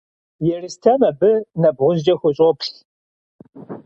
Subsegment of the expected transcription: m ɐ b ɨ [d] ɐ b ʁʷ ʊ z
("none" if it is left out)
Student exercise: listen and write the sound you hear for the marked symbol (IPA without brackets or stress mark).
n